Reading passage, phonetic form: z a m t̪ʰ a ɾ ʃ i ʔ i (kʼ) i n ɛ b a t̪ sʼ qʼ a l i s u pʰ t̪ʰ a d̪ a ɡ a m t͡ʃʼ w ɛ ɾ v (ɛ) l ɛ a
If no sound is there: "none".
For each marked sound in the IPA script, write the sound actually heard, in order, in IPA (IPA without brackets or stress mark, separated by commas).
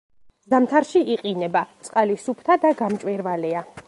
qʼ, a